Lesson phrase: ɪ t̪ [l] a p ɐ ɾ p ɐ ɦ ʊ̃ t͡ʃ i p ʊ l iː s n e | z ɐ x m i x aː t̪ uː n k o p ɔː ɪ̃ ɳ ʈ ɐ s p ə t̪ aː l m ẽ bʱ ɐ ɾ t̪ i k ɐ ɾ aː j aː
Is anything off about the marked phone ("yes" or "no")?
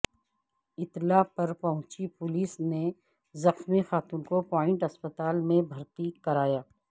no